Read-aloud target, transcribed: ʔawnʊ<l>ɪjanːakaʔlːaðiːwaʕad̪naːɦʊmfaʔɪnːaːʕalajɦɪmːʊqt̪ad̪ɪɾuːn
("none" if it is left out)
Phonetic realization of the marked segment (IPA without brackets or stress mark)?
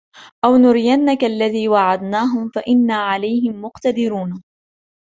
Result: ɾ